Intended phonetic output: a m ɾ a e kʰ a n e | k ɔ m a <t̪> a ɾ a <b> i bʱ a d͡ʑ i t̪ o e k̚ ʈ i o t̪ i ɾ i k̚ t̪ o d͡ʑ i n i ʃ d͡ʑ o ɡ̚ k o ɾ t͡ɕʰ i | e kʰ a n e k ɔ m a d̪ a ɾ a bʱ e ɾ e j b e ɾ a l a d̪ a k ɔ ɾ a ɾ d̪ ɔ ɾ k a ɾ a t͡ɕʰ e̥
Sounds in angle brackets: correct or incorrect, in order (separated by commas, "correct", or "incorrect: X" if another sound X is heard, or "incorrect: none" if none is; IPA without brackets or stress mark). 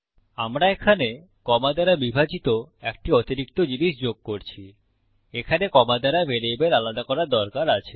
incorrect: d̪, correct